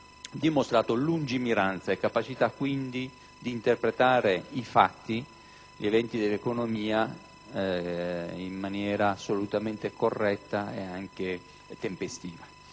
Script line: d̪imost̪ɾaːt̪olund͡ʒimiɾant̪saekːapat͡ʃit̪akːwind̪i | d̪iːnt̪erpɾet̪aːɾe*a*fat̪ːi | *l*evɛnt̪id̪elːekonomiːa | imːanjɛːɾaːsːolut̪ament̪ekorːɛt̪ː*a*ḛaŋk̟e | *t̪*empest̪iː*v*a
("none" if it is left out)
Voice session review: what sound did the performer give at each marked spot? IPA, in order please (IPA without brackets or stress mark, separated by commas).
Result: i, ʎ, a, t̪, v